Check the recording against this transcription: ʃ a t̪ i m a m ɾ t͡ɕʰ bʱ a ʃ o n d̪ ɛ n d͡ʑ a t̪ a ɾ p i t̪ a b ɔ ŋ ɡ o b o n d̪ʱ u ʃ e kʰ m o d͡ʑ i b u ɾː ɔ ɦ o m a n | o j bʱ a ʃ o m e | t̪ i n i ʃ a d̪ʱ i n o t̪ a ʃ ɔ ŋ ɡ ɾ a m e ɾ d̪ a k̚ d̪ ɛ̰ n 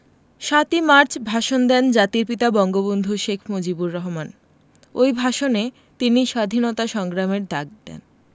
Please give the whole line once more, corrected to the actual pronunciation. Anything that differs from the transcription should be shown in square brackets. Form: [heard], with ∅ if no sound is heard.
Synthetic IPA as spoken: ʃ a t̪ i m a [∅] ɾ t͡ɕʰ bʱ a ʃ o n d̪ ɛ n d͡ʑ a t̪ [i] ɾ p i t̪ a b ɔ ŋ ɡ o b o n d̪ʱ u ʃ e kʰ m o d͡ʑ i b u ɾː ɔ ɦ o m a n | o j bʱ a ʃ o [n] e | t̪ i n i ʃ a d̪ʱ i n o t̪ a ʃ ɔ ŋ ɡ ɾ a m e ɾ d̪ a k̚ d̪ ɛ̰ n

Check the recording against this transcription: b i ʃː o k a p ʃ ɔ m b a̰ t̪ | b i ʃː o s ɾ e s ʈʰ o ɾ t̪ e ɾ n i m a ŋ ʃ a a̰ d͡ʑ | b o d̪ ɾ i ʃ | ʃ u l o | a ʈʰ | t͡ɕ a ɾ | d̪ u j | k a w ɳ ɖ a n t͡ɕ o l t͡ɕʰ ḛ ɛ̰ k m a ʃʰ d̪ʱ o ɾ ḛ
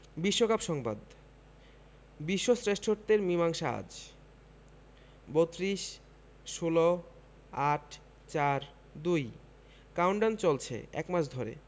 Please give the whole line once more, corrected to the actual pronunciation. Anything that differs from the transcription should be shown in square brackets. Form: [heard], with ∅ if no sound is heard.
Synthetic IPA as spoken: b i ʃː o k a p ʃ ɔ [ŋ] b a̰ [d̪] | b i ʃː o s ɾ e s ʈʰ o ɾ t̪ e ɾ [m] i m a ŋ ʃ a a̰ d͡ʑ | b o [t̪] ɾ i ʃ | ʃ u l o | a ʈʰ | t͡ɕ a ɾ | d̪ u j | k a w ɳ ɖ a n t͡ɕ o l t͡ɕʰ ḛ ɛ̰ k m a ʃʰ d̪ʱ o ɾ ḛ

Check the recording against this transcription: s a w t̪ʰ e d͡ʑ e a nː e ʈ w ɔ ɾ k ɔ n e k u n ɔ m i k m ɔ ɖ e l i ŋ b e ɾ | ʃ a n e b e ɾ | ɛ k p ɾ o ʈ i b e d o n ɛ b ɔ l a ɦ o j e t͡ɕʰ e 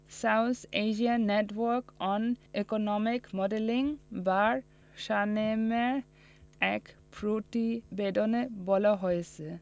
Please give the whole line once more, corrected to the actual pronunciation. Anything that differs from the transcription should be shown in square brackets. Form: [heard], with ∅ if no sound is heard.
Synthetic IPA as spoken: s a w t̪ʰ e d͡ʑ [i] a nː e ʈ w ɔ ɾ k ɔ n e k [o] n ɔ m i k m ɔ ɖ e l i ŋ b [a] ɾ | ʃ a n e [m] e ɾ | ɛ k p ɾ o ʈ i b e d o n [e] b ɔ l a ɦ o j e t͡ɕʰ e

